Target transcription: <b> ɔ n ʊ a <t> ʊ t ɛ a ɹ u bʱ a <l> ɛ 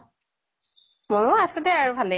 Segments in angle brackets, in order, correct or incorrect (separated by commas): incorrect, incorrect, correct